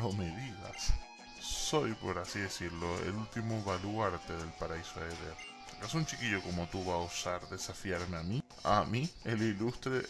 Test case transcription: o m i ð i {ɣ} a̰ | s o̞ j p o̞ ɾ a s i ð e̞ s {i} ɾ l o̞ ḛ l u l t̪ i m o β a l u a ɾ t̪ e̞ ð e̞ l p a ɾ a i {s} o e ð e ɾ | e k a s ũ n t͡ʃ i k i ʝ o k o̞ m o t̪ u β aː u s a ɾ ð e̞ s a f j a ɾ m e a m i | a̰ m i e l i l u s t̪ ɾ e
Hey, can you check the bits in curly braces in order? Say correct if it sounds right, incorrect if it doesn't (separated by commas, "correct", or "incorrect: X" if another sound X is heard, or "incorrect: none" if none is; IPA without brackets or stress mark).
incorrect: ð, correct, correct